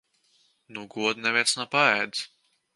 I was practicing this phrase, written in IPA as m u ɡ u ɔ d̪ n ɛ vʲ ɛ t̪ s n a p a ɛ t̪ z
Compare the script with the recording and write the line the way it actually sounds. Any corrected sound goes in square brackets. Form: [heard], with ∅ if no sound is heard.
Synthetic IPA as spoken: [n] u ɡ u ɔ d̪ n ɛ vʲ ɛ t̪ s n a p a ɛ [d̪] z

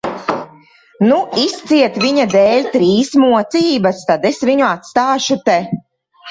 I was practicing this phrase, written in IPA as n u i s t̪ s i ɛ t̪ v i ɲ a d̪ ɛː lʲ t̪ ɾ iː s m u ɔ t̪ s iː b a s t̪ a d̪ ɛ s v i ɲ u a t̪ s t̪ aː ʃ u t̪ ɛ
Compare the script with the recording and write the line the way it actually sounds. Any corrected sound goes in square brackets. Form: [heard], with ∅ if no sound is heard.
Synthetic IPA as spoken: n u i s t̪ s i ɛ t̪ v i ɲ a d̪ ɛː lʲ t̪ ɾ iː s m u ɔ t̪ s iː b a s t̪ a d̪ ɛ s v i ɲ u a t̪ s t̪ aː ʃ u t̪ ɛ

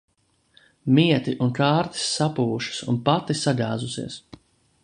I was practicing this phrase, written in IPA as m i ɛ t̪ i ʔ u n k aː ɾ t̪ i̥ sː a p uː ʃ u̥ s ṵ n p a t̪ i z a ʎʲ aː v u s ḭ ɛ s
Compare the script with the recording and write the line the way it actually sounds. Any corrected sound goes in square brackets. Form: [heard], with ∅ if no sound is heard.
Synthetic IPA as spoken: m i ɛ t̪ i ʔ u n k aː ɾ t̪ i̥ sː a p uː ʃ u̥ s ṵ n p a t̪ i [s] a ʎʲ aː [z] u s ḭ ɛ s

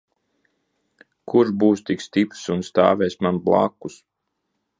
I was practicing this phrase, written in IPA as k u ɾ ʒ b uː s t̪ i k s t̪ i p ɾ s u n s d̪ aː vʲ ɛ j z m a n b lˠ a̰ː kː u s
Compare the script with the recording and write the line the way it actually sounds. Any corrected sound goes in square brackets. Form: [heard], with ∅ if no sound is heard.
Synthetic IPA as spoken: k u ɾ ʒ b uː s t̪ i k s t̪ i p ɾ s u n s [t̪] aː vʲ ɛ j [s] m a n b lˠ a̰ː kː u s

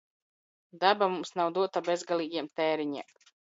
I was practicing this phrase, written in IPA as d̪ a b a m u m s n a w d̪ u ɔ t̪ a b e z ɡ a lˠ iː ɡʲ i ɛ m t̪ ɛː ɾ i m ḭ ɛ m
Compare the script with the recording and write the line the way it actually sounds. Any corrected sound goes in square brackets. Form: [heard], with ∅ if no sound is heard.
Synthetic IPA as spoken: d̪ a b a m u m s n a w d̪ u ɔ t̪ a b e z ɡ a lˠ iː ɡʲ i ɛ m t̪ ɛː ɾ i [ɲ] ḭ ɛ m

